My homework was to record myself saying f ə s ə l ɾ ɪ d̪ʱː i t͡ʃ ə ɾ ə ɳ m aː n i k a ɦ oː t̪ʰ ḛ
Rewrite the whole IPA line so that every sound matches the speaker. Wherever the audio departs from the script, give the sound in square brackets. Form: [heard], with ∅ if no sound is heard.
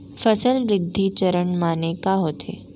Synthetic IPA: f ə s ə l ɾ ɪ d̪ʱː i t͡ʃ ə ɾ ə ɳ m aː n [e] k a ɦ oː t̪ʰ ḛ